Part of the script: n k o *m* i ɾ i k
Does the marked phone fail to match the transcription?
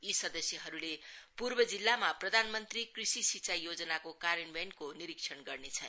yes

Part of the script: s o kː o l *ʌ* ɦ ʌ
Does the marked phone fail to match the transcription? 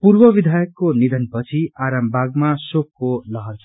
no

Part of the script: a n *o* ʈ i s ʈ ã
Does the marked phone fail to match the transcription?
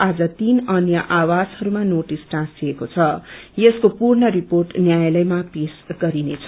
no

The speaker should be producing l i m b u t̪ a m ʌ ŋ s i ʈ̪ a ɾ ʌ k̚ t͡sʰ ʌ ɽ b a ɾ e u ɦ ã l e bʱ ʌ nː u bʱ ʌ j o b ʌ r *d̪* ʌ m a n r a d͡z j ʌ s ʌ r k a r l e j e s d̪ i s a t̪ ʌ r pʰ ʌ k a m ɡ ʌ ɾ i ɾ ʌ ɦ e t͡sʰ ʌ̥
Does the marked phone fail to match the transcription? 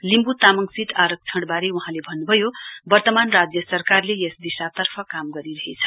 yes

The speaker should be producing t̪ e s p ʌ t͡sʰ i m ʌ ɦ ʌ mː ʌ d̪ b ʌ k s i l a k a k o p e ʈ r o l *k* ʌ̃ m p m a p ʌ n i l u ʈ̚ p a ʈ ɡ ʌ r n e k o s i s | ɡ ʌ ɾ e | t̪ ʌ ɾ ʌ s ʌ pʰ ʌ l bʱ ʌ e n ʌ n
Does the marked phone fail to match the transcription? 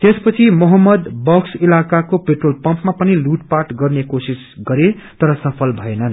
yes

